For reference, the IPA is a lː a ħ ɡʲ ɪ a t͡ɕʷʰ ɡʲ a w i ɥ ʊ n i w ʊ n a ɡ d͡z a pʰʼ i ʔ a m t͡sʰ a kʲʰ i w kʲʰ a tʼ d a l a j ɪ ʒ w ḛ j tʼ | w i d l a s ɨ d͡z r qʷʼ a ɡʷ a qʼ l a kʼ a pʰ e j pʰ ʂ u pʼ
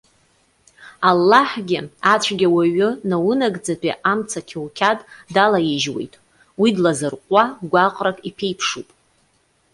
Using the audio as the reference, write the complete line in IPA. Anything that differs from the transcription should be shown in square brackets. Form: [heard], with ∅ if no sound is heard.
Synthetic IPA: a lː a ħ ɡʲ ɪ a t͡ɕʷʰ ɡʲ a w [a] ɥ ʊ n [a] w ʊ n a ɡ d͡z a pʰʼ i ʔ a m t͡sʰ a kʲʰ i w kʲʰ a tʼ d a l a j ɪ ʒ w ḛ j tʼ | w i d l a [z] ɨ [∅] r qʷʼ a ɡʷ a qʼ [r] a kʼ [i] pʰ e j pʰ ʂ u pʼ